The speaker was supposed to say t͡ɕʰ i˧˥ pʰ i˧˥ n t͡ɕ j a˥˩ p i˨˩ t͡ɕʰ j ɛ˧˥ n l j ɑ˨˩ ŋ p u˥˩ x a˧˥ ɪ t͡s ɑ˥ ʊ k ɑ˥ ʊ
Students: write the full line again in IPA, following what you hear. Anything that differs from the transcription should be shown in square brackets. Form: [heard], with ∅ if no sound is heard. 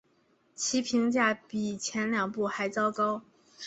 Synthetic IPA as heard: t͡ɕʰ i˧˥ pʰ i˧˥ [ŋ] t͡ɕ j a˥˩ p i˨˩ t͡ɕʰ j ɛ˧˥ n l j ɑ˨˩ ŋ p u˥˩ x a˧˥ ɪ t͡s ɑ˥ ʊ k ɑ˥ ʊ